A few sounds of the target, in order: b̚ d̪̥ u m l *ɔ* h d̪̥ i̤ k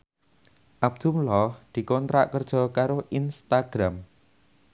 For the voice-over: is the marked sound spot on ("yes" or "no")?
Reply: yes